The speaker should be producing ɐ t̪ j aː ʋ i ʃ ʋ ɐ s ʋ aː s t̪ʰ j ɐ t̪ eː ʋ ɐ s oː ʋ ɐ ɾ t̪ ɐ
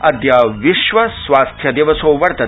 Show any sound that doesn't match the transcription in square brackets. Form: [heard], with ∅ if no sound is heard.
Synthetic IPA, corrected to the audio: ɐ [d̪] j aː ʋ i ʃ ʋ ɐ s ʋ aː s t̪ʰ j ɐ [d̪] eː ʋ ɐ s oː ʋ ɐ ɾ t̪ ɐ